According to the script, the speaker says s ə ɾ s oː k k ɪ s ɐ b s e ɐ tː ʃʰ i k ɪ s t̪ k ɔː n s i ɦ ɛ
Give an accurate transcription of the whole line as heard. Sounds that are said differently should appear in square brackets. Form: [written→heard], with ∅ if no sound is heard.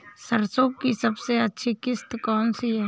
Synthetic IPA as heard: s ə ɾ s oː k k [ɪ→i] s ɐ b s e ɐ tː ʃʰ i k ɪ s t̪ k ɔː n s i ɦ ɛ

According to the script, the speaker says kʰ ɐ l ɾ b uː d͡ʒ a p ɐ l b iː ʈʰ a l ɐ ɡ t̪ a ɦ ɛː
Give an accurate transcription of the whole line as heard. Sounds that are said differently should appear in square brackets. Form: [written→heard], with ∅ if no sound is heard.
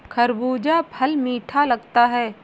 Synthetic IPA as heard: kʰ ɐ [l→∅] ɾ b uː d͡ʒ a [p→pʰ] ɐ l [b→m] iː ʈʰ a l ɐ ɡ t̪ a ɦ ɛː

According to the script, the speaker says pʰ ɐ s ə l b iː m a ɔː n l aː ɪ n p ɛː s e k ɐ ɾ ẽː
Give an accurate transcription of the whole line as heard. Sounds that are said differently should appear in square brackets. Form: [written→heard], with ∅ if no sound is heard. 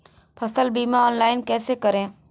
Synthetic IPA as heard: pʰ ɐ s ə l b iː m a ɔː n l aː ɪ n [p→k] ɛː s e k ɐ ɾ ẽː

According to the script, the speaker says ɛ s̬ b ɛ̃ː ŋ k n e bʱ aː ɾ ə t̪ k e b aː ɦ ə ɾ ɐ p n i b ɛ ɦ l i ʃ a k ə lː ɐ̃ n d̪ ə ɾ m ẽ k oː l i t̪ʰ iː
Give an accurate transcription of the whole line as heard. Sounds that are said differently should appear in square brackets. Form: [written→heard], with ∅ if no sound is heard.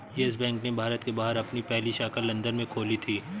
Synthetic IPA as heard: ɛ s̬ b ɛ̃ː ŋ k n e bʱ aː ɾ ə t̪ k e b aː ɦ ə ɾ ɐ p n i [b→p] ɛ ɦ l i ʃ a k ə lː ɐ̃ n d̪ ə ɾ m ẽ [k→kʰ] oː l i t̪ʰ iː

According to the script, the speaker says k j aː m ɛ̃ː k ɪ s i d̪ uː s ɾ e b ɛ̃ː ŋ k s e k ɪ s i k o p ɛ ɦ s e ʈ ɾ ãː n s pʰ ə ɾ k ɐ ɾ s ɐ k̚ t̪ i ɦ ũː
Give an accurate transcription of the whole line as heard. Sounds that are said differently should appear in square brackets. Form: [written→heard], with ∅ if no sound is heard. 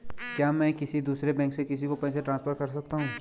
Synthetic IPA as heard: k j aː m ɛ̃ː k ɪ s i d̪ uː s ɾ e b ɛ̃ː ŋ k s e k ɪ s i k o p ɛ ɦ s e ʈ ɾ ãː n s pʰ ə ɾ k ɐ ɾ s ɐ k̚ t̪ [i→a] ɦ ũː

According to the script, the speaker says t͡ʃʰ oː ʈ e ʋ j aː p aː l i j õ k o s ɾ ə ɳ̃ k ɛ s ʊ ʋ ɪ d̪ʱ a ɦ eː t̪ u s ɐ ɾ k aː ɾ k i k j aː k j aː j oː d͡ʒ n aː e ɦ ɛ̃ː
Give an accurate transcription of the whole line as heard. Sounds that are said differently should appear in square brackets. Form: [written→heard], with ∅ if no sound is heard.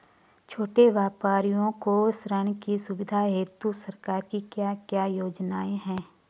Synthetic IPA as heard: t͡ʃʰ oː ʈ e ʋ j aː p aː [l→ɾ] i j õ k o s ɾ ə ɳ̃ k [ɛ→i] s ʊ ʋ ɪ d̪ʱ a ɦ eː t̪ u s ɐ ɾ k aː ɾ k i k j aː k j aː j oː d͡ʒ n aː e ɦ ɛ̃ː

